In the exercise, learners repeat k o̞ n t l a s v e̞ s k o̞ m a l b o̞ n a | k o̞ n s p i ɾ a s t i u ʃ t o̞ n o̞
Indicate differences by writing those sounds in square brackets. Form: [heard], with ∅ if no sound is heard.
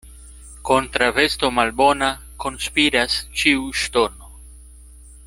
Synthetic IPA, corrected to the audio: k o̞ n t [ɾ] a [∅] v e̞ s [t] o̞ m a l b o̞ n a | k o̞ n s p i ɾ a s [t͡ʃ] i u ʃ t o̞ n o̞